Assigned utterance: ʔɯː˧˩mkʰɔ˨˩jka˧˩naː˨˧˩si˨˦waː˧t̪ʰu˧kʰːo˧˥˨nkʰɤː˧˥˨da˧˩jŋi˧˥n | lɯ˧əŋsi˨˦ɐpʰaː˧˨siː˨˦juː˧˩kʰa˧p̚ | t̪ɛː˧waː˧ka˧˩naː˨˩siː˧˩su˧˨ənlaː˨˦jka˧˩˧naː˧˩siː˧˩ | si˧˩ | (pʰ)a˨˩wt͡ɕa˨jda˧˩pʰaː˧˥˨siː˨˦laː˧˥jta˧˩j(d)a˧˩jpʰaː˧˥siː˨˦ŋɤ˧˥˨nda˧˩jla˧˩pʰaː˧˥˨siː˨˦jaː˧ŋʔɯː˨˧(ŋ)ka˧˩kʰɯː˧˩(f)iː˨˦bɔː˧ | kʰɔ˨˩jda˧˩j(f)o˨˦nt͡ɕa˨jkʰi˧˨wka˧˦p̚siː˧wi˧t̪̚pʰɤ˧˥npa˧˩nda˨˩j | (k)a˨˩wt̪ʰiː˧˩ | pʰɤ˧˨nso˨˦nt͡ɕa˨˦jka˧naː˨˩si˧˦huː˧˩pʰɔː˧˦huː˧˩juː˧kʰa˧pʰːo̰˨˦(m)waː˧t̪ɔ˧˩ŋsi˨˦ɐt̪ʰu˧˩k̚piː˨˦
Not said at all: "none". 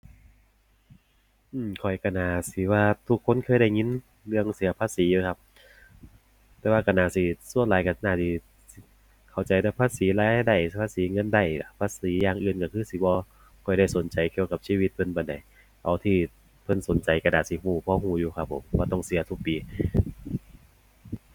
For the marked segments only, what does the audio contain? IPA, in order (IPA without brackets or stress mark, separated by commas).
kʰ, d, n, s, s, ʔ, m